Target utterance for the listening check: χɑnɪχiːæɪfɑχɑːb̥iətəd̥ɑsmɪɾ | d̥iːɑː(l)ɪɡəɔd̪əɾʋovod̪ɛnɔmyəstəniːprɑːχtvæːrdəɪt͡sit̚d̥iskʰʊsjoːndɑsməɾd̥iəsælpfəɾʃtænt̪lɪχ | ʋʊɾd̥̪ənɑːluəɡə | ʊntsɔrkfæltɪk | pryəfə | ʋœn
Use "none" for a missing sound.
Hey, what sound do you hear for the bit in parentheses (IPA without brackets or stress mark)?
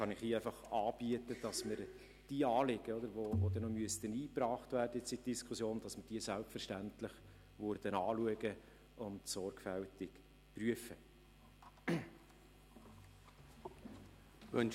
l